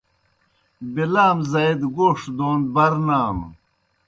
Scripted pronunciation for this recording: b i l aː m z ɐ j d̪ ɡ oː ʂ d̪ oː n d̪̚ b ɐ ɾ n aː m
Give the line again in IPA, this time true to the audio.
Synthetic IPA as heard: b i l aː m z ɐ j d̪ ɡ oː ʂ d̪ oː n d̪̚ b ɐ ɾ n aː m